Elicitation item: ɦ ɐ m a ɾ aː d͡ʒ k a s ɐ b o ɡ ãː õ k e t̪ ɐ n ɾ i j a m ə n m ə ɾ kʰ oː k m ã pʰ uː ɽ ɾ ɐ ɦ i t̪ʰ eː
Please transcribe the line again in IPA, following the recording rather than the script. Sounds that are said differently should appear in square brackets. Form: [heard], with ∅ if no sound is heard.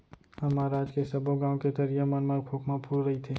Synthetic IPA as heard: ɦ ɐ m a ɾ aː d͡ʒ k [e] s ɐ b o ɡ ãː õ k e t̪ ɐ [∅] ɾ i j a m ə n m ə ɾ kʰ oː k m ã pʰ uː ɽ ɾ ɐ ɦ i t̪ʰ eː